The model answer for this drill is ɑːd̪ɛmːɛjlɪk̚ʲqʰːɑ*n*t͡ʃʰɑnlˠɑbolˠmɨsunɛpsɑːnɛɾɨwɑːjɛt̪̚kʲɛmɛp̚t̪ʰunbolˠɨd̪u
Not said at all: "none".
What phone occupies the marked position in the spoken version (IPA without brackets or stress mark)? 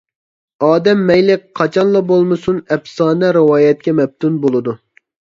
none